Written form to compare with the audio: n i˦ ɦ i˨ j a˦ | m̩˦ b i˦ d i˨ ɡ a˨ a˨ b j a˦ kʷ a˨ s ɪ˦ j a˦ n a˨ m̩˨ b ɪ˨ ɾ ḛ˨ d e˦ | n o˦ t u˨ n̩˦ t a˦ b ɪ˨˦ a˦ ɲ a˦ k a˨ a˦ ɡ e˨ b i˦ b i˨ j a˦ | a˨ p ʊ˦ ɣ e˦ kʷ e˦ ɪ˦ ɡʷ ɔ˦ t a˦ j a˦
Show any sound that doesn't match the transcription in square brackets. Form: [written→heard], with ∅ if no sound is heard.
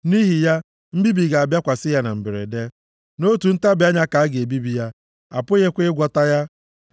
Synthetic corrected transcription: n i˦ ɦ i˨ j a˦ | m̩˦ b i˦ [d→b] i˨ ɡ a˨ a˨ b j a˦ kʷ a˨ s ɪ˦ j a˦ n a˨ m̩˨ b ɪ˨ ɾ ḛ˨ d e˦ | n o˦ t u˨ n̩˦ t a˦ b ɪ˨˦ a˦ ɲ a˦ k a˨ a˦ ɡ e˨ b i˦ b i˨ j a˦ | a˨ p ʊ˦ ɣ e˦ kʷ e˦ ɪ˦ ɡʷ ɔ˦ t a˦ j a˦

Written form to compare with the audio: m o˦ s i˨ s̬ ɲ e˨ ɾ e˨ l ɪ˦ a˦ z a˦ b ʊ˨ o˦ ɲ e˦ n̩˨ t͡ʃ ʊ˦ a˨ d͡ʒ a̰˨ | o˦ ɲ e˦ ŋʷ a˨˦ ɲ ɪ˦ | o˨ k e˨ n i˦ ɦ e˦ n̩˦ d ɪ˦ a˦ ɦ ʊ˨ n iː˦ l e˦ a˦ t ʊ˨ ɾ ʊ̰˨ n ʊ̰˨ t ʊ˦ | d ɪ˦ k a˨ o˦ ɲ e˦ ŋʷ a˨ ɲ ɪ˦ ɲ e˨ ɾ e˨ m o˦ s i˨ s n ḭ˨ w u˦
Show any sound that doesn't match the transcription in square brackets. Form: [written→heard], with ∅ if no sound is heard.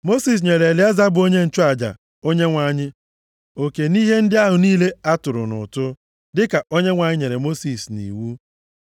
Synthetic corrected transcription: m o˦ s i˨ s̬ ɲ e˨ ɾ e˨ l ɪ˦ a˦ z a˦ b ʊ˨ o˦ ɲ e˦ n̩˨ t͡ʃ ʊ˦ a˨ d͡ʒ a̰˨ | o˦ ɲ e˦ ŋʷ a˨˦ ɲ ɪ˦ | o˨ k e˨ n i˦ ɦ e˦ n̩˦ d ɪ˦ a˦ ɦ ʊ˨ n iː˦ l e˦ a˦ t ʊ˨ ɾ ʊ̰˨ n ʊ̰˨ t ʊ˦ | d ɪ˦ k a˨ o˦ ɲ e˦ ŋʷ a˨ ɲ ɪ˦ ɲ e˨ ɾ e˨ m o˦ s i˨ s n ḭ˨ w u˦

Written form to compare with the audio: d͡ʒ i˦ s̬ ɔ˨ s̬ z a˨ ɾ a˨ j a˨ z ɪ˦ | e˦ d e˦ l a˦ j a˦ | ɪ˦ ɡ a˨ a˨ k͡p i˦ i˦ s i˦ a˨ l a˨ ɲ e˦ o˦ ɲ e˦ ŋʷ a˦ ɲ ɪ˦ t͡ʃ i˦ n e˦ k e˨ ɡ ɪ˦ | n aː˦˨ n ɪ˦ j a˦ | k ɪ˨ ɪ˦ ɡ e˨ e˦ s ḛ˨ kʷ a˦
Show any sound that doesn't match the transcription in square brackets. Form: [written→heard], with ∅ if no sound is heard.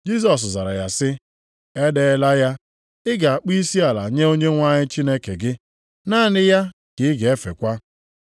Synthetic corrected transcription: d͡ʒ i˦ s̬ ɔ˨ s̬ z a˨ ɾ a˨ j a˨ [z→s] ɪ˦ | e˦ d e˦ l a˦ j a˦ | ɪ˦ ɡ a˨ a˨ k͡p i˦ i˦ s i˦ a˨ l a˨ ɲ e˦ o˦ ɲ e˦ ŋʷ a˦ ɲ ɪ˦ t͡ʃ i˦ n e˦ k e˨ ɡ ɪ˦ | n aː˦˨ n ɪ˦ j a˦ | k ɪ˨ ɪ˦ ɡ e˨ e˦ [s→f] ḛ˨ kʷ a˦

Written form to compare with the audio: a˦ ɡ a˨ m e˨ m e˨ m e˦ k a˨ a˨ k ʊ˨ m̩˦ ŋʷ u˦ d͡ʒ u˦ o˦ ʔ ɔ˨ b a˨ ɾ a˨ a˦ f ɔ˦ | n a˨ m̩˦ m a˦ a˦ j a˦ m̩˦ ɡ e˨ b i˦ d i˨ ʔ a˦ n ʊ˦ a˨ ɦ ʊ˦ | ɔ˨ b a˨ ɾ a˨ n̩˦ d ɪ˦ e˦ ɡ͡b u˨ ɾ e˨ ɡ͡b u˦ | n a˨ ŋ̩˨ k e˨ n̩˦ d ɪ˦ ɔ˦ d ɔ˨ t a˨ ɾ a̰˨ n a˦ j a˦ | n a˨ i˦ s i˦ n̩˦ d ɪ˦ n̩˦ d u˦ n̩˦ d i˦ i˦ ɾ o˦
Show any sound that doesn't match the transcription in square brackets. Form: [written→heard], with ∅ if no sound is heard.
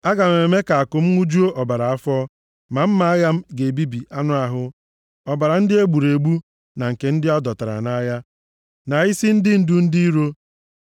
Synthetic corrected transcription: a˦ ɡ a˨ m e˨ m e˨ m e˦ k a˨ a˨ k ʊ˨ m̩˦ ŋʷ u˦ d͡ʒ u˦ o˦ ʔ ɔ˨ b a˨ ɾ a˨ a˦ f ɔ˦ | [n→m] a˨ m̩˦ m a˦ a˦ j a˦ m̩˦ ɡ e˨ b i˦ [d→b] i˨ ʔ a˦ n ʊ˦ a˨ ɦ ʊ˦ | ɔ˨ b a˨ ɾ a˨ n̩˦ d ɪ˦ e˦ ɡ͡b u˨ ɾ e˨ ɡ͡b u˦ | n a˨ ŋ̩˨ k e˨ n̩˦ d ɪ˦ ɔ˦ d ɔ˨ t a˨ ɾ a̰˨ n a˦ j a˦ | n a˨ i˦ s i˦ n̩˦ d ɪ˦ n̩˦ d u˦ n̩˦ d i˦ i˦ ɾ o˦

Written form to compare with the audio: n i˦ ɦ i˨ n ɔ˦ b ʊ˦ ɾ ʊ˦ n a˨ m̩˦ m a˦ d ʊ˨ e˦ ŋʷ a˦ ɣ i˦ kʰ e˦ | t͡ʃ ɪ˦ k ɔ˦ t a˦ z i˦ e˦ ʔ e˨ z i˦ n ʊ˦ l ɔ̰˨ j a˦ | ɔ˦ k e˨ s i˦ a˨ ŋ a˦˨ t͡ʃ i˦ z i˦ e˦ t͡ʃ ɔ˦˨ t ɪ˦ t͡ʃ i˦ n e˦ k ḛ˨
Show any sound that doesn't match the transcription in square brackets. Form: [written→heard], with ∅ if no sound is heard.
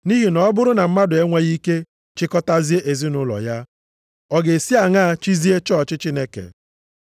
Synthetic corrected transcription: n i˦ ɦ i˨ n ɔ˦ b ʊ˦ ɾ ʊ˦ n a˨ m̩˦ m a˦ d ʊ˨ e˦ ŋʷ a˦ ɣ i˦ [kʰ→k] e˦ | t͡ʃ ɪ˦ k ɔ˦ t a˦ z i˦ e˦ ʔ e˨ z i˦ n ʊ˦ l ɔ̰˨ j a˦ | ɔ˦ [k→ɡ] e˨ s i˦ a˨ ŋ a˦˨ t͡ʃ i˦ z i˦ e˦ t͡ʃ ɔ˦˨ [t→t͡ʃ] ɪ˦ t͡ʃ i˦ n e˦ k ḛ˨

